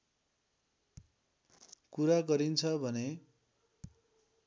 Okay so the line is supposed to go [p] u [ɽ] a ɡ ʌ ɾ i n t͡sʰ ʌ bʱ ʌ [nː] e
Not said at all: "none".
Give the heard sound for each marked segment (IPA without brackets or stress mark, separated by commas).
k, ɾ, n